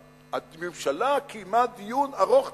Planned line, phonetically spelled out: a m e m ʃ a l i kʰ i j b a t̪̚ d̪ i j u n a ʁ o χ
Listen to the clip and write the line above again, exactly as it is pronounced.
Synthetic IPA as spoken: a m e m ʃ a l a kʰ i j m a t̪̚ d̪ i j u n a ʁ o χ

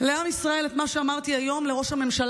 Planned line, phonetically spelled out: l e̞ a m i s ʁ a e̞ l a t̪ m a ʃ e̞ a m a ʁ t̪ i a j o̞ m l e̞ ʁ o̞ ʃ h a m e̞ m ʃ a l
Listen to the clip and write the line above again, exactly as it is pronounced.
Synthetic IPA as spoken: l e̞ a m i s ʁ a e̞ l e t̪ m a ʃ e̞ a m a ʁ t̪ i a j o̞ m l e̞ ʁ o̞ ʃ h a m e̞ m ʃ a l

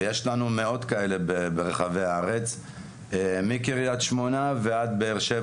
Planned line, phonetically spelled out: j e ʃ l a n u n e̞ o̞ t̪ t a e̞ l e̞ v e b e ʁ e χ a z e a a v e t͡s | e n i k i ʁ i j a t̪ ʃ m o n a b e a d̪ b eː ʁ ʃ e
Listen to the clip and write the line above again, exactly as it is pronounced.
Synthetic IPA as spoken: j e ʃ l a n u m e̞ o̞ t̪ k a e̞ l e̞ b e b e ʁ e χ a v e a a ʁ e t͡s | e m i k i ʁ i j a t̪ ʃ m o n a v e a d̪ b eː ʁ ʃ e

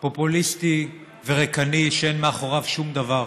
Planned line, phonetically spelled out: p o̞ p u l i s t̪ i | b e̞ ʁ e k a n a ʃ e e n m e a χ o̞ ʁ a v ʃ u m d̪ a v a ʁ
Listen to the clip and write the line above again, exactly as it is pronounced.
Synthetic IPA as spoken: p o̞ p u l i s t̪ i | v e̞ ʁ e k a n i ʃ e e n m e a χ o̞ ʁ a v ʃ u m d̪ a v a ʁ

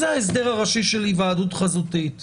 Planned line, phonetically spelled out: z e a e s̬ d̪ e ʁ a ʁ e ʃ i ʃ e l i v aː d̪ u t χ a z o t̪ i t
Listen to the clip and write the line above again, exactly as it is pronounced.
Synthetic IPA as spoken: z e a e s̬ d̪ e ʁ a ʁ a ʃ i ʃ e l i v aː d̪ u t χ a z u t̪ i t

